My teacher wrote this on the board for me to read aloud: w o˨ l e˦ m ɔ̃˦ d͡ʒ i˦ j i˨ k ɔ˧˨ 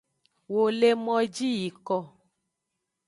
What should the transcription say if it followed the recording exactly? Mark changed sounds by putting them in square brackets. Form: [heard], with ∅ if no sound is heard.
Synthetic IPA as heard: w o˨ l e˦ m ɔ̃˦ d͡ʒ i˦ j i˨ k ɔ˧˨